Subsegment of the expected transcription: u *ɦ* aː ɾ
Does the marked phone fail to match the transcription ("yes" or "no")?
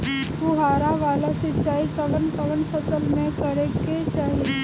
no